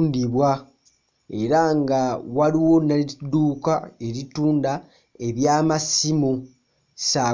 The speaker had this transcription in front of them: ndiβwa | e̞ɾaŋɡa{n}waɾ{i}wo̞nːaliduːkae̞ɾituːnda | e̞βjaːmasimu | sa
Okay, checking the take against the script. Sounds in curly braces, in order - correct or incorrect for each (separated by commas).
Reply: incorrect, correct